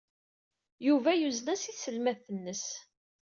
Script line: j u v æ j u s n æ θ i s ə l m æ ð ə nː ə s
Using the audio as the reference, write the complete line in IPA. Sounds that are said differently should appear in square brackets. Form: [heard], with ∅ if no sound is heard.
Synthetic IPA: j u v æ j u [z] n æ [s] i s ə l m æ [θ] ə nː ə s